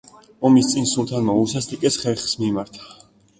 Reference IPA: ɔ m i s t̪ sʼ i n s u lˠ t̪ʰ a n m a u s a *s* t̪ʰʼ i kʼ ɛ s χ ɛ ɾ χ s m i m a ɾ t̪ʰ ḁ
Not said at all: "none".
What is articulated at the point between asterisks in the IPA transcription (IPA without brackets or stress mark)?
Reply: s